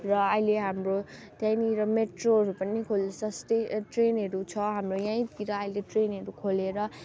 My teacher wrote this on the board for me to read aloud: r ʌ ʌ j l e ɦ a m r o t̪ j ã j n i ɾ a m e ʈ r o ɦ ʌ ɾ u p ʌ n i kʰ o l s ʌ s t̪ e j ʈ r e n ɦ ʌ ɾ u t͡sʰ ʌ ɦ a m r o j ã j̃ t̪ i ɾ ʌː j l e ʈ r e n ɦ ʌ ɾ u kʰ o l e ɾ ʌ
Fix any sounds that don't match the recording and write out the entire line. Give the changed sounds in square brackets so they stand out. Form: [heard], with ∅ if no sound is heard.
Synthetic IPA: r ʌ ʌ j l e ɦ a m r o t̪ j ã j n i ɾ [ʌ] m e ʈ r o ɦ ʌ ɾ u p ʌ n i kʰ o l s ʌ s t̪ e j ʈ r e n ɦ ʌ ɾ u t͡sʰ ʌ ɦ a m r o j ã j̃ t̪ i ɾ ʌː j l e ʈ r e n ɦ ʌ ɾ u kʰ o l e ɾ ʌ